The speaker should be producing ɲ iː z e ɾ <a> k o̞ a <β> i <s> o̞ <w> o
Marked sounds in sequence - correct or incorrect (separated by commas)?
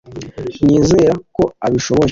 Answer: correct, correct, incorrect, incorrect